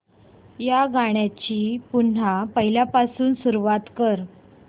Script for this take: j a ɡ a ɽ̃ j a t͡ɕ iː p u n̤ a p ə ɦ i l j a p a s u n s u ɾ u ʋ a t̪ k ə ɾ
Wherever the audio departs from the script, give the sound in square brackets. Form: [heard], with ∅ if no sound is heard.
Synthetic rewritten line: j a ɡ a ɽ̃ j a t͡ɕ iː p u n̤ a p ə ɦ i l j a p a s [uː] n s u ɾ u ʋ a t̪ k ə ɾ